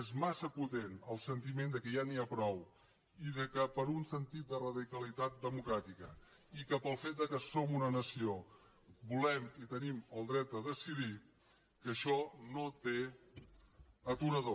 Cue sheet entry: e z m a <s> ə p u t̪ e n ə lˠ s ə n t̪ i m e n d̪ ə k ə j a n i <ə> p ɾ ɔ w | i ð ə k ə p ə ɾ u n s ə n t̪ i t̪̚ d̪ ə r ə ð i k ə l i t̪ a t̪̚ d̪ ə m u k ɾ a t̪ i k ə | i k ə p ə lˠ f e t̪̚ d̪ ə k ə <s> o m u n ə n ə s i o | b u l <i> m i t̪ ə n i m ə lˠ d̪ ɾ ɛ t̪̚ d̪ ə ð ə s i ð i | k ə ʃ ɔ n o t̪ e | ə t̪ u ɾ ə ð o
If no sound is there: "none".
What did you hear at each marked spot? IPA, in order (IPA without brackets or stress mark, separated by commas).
s, a, s, ɛ